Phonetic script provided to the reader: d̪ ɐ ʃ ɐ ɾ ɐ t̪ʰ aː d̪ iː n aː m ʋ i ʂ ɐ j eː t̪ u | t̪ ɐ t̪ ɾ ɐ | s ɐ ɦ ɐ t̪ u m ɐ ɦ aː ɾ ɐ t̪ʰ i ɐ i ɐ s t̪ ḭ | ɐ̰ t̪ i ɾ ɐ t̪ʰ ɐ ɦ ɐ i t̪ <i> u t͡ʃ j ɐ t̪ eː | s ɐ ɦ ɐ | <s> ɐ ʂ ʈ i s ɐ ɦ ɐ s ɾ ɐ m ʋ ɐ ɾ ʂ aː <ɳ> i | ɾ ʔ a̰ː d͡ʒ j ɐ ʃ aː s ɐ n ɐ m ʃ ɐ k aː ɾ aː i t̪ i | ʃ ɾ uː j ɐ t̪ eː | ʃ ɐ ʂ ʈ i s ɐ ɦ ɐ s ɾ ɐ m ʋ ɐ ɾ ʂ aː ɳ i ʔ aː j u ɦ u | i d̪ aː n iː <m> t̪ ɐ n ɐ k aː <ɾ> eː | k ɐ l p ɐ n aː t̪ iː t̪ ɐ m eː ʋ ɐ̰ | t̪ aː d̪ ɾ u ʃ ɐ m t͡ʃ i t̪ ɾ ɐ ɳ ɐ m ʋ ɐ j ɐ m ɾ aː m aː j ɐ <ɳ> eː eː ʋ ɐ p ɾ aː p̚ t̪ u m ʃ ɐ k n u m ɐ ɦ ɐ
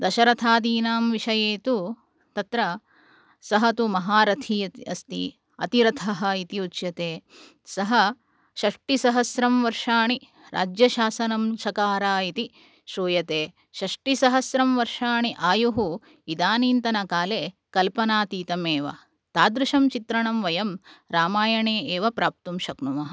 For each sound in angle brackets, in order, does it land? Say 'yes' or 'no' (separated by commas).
yes, no, yes, no, no, yes